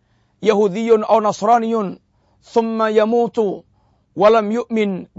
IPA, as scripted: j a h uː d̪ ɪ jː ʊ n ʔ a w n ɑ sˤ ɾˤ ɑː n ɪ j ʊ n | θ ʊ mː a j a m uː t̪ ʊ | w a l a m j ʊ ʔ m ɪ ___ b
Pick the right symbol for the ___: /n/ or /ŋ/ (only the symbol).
n